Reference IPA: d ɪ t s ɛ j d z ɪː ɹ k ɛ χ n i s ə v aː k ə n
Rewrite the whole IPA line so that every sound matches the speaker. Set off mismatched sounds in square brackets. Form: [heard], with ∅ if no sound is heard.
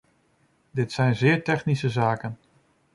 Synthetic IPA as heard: d ɪ t s ɛ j [n] z ɪː ɹ [t] ɛ χ n i s ə [z] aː k ə n